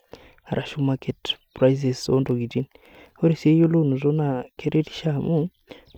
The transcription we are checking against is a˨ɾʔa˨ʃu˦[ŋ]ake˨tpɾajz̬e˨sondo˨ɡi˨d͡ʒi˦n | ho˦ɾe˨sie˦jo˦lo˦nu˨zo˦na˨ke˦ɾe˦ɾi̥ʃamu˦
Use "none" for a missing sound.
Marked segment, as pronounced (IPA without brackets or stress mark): m